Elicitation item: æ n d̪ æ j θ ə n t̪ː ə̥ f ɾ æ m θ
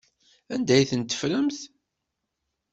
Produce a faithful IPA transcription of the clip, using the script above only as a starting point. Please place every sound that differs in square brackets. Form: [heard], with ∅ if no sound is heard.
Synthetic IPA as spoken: æ n d̪ æ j θ ə n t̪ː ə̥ f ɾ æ m θ

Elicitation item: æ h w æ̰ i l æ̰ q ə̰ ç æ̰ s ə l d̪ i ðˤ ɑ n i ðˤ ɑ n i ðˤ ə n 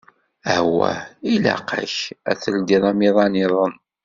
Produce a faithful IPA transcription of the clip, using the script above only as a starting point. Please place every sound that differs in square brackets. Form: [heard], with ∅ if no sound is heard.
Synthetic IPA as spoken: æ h w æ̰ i l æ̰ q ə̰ ç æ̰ [θ] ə l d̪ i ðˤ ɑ [m] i ðˤ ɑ n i ðˤ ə n

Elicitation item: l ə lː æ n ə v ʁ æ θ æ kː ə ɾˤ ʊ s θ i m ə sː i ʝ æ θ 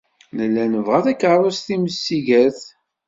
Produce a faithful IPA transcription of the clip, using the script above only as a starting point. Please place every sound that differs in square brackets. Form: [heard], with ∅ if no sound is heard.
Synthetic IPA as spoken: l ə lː æ n ə v ʁ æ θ æ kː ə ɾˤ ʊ s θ i m ə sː i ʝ æ θ

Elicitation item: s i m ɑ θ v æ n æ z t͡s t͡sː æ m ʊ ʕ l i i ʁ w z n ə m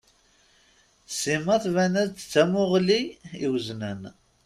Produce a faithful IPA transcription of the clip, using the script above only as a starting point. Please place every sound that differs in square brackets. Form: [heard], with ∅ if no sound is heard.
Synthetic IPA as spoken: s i m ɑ θ v æ n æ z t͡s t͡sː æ m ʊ [ʁ] l i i [∅] w z n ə [n]

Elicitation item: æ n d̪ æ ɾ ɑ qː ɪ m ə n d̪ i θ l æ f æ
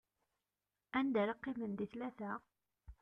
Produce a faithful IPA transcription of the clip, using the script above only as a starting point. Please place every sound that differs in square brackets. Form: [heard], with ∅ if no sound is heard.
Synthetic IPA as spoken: æ n d̪ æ ɾ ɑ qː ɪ m ə n d̪ i θ l æ [θ] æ

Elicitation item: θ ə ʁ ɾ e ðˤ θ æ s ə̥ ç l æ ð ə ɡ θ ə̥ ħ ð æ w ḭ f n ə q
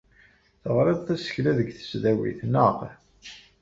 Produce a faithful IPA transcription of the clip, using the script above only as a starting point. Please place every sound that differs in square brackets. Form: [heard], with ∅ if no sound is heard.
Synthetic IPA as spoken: θ ə ʁ ɾ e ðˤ θ æ s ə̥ ç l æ ð ə ɡ θ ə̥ [s] ð æ w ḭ [θ] n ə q

